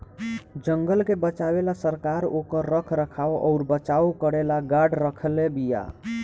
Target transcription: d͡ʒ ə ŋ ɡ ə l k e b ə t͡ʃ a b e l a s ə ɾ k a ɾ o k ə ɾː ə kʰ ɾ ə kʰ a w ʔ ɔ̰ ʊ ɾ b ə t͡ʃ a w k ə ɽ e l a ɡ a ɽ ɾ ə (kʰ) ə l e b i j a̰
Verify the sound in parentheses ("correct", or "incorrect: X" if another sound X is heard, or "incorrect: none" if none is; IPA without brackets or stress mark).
correct